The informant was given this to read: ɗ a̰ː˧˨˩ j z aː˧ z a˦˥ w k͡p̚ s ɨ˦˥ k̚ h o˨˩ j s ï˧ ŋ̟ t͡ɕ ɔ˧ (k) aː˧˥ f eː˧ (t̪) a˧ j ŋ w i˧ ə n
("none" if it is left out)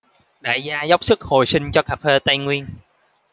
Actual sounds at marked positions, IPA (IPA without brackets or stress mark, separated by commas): k, t̪